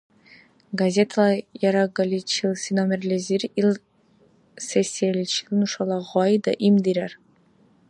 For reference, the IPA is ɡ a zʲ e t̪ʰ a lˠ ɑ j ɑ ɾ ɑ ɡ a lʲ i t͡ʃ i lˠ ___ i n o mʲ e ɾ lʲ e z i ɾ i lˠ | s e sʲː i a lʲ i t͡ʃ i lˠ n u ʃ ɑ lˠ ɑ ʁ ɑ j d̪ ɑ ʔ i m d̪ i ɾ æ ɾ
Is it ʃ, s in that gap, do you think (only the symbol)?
s